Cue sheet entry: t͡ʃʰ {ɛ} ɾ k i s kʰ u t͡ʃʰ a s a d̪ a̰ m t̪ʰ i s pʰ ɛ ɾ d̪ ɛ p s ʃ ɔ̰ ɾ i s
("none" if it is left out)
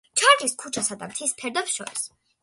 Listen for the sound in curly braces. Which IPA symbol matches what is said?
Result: a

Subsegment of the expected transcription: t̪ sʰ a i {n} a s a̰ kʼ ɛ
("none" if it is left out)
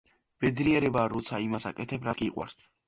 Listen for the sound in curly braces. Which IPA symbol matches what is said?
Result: m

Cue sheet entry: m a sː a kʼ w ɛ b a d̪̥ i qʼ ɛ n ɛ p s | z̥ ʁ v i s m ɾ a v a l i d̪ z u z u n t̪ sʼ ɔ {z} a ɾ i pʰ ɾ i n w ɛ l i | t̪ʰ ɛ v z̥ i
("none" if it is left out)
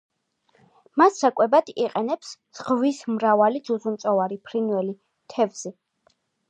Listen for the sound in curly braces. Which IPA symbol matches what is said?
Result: v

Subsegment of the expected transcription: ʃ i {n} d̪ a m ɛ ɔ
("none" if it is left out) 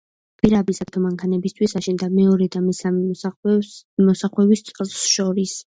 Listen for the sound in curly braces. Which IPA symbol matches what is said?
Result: n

